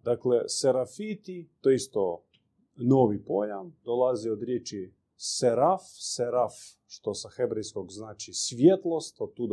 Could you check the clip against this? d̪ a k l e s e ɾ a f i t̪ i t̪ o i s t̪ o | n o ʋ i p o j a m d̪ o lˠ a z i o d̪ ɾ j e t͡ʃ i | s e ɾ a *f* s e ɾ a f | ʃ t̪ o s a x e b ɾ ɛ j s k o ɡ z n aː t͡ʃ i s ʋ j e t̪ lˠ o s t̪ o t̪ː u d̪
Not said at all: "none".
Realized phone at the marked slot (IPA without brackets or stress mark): f